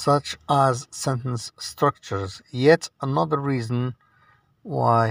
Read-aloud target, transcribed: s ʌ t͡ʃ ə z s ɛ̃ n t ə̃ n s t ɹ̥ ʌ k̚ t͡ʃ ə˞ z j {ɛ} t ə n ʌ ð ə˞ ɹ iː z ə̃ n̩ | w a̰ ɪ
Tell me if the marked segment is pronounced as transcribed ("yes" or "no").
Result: yes